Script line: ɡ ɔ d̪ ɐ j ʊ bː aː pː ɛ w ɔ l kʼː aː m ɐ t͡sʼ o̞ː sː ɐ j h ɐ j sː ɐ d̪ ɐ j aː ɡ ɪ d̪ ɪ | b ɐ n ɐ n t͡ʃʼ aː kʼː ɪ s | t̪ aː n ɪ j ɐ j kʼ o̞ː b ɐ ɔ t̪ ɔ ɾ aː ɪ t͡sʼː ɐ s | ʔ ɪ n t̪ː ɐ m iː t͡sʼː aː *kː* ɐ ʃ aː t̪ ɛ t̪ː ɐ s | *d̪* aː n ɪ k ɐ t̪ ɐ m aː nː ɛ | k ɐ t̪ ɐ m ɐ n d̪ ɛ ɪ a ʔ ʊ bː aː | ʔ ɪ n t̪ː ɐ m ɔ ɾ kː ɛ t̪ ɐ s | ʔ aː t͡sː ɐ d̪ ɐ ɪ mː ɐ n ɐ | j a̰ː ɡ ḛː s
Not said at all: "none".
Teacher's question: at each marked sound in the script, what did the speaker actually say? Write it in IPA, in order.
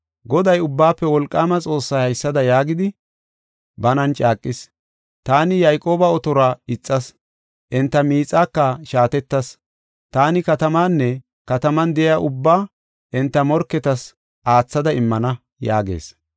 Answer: kː, t̪

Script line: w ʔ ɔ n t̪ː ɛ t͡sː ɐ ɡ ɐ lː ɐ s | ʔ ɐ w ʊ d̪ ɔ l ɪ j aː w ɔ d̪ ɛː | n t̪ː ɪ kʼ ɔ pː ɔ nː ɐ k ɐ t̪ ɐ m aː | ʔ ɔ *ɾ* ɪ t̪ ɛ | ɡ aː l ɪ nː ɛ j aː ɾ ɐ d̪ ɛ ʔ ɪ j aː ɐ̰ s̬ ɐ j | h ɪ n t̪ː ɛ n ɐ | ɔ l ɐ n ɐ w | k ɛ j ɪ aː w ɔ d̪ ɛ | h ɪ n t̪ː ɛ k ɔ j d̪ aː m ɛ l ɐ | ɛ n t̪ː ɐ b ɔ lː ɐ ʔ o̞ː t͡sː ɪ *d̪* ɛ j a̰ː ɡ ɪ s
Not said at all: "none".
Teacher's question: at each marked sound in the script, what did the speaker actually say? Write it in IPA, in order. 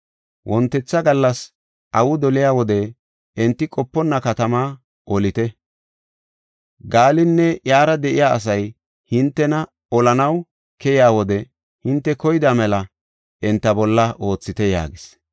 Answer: l, t̪

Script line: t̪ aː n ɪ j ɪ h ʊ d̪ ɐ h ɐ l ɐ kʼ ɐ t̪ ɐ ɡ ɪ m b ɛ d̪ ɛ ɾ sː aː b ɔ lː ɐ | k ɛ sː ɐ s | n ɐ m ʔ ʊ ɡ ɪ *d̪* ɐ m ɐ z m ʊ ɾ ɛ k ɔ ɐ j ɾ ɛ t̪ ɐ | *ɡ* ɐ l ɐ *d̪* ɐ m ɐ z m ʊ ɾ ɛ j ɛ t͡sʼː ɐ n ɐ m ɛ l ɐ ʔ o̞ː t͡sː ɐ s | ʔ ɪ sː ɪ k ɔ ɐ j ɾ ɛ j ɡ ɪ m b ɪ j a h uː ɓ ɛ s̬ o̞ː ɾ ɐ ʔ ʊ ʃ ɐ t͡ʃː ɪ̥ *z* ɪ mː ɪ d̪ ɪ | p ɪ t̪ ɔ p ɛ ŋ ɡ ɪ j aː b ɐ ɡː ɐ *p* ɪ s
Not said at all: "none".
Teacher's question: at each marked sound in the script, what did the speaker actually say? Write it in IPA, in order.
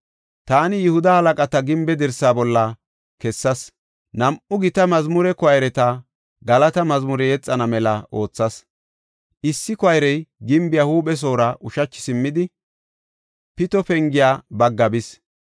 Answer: t̪, ɡ, t̪, s, b

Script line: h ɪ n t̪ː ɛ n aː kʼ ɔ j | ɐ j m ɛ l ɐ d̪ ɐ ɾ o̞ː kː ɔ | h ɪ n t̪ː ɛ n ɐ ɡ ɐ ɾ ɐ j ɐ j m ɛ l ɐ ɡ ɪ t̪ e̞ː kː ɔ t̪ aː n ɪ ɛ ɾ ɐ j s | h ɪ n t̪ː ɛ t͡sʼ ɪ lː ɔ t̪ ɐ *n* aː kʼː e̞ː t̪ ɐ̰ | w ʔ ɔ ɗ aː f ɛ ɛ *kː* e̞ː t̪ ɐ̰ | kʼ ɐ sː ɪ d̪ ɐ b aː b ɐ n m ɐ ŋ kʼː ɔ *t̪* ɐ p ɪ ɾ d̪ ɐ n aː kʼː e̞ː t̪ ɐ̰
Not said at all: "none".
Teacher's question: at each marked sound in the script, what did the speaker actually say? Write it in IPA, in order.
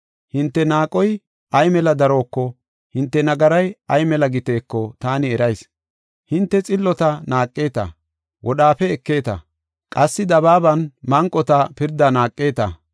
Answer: n, kː, t̪

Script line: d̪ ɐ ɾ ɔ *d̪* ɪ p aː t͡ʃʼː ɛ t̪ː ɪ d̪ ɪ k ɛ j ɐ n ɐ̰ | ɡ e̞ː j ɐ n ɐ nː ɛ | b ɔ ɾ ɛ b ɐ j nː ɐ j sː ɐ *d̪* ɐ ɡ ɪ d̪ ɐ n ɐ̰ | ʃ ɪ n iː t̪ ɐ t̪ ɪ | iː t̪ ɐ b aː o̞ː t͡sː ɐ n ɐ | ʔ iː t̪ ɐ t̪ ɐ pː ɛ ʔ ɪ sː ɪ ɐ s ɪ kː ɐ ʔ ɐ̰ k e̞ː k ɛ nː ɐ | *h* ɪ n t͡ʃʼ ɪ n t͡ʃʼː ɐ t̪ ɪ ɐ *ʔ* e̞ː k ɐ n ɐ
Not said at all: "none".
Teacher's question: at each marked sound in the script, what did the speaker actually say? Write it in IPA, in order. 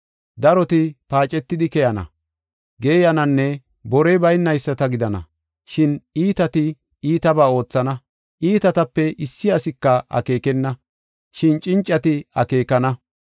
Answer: t̪, t̪, ʃ, k

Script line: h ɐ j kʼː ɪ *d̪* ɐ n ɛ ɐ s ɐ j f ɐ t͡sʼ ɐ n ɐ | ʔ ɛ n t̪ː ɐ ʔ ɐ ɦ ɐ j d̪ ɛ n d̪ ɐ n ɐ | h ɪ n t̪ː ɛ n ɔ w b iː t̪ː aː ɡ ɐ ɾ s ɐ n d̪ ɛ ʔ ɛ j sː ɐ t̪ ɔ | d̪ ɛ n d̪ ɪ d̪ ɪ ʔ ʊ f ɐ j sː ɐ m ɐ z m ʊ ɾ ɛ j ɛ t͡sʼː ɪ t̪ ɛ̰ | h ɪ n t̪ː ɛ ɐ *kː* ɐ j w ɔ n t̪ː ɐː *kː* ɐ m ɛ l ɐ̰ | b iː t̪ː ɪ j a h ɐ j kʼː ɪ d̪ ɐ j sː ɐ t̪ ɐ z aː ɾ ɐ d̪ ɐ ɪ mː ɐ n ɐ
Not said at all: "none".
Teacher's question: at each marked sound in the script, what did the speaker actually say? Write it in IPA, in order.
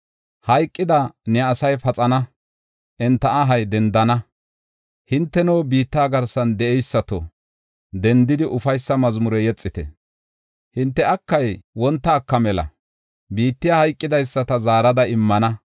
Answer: d̪, kː, kː

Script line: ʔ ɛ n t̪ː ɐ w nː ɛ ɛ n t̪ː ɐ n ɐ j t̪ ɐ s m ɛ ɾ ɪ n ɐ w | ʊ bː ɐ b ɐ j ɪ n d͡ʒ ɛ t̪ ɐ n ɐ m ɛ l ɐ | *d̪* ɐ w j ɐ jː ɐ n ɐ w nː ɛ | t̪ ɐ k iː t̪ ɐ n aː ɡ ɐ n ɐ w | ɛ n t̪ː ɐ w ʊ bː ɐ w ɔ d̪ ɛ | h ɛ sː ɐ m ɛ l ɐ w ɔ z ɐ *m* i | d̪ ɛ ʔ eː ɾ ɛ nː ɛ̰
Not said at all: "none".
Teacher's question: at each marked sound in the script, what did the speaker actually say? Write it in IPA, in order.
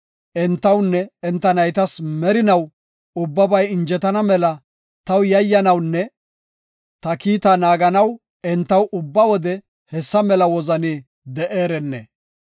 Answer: t̪, n

